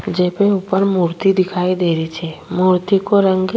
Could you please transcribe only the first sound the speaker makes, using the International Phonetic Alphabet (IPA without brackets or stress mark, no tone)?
d͡ʒ